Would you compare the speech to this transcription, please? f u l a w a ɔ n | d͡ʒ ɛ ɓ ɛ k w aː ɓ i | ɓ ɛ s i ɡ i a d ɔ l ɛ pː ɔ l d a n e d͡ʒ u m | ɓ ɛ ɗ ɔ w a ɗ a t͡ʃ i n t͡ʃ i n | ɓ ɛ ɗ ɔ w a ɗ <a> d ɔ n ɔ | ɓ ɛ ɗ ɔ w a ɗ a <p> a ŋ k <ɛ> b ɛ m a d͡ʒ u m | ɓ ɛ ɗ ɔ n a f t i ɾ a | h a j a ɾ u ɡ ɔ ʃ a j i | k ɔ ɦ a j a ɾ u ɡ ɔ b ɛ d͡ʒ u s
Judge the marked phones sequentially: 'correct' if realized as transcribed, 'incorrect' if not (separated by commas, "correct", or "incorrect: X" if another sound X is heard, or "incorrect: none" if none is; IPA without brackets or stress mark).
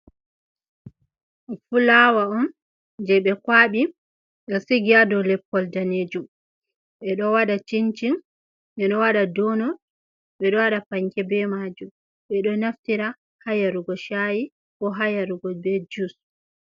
correct, correct, correct